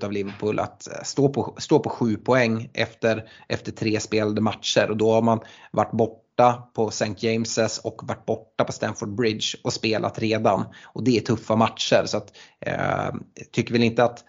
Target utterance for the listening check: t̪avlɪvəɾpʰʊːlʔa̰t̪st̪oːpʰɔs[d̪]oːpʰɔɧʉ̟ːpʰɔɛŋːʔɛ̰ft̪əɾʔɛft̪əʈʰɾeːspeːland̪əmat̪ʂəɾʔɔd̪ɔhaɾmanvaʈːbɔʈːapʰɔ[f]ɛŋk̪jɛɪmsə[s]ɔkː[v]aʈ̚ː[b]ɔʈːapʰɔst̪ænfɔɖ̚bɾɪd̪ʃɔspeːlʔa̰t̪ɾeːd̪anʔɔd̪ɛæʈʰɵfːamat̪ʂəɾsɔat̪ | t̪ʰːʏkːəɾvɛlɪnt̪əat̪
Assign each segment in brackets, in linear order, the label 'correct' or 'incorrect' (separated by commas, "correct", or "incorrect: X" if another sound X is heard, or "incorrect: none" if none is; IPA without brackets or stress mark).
incorrect: t̪, incorrect: s, correct, correct, correct